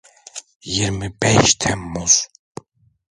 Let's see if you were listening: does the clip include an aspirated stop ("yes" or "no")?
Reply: yes